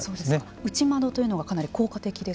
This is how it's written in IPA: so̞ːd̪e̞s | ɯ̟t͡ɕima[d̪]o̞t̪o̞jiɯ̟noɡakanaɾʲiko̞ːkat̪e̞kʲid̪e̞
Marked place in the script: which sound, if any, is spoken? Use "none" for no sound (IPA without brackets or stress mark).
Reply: d̪